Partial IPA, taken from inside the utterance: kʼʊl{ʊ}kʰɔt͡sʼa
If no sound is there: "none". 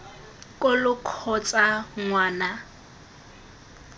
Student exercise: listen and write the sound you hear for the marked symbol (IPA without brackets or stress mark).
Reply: ʊ